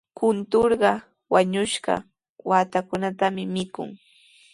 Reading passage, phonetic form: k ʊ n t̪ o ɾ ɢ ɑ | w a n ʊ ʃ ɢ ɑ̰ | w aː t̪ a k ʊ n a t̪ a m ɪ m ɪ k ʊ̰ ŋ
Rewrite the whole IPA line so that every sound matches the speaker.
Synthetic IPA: k ʊ n t̪ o ɾ ɢ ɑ | w a ɲ ʊ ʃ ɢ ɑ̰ | w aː t̪ a k ʊ n a t̪ a m ɪ m ɪ k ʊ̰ ŋ